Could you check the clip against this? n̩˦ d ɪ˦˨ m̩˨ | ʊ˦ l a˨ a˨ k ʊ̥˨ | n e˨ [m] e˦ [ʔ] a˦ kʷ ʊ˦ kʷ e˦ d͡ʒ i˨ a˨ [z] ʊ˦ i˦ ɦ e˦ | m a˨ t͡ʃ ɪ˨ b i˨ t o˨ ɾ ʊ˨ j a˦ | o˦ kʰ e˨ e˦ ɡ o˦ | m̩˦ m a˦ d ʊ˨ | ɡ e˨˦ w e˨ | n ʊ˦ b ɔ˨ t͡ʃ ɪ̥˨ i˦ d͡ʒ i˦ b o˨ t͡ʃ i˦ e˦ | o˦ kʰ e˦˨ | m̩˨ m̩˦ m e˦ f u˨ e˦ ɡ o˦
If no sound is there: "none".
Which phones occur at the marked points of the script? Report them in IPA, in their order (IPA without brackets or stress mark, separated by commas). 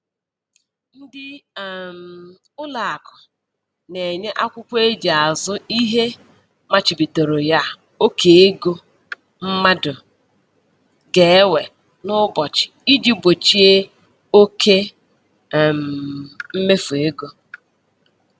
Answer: ɲ, ʔ, z